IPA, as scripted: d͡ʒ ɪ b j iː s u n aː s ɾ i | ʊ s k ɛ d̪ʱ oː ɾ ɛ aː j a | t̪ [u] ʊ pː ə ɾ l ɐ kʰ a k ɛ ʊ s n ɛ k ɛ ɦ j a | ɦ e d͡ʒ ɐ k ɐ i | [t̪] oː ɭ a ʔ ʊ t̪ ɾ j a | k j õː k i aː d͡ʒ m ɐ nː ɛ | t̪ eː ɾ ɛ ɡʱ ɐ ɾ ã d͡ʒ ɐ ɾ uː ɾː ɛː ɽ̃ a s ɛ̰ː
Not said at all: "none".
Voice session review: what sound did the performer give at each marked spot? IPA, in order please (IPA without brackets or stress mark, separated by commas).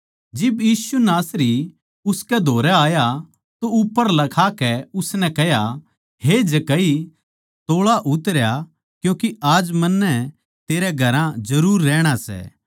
o, t̪